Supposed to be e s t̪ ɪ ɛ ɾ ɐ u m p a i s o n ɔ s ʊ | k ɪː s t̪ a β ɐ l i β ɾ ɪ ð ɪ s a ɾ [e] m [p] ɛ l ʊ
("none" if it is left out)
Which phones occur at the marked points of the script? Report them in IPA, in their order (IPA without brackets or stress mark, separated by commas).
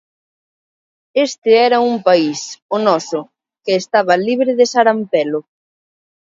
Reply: a, p